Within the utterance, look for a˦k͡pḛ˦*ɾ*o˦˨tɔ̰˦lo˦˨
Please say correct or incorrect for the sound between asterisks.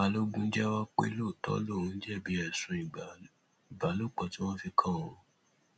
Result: incorrect